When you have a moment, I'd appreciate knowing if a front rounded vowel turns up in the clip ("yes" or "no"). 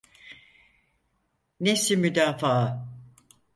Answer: yes